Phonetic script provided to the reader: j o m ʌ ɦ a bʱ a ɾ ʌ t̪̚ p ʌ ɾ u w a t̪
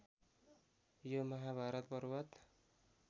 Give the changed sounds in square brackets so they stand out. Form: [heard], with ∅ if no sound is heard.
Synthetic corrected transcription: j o m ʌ ɦ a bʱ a ɾ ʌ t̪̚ [b] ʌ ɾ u w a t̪